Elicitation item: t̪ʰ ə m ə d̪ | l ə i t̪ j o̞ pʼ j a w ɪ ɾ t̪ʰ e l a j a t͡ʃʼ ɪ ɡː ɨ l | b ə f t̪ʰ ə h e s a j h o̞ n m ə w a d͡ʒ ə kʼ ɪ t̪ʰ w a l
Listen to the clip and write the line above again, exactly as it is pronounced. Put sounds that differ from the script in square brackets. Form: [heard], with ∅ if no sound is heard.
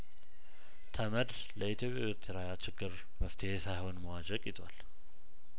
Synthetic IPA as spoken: t̪ʰ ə m ə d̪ | l ə i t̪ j o̞ pʼ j a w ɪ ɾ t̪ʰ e [ɾ] a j a [t͡ʃ] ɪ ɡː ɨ [ɾ] | [m] ə f t̪ʰ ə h e s a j h o̞ n m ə w a d͡ʒ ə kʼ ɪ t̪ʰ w a l